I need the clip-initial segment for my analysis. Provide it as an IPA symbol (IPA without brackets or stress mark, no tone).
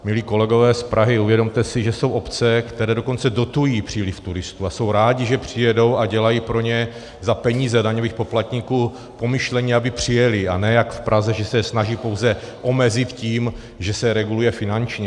m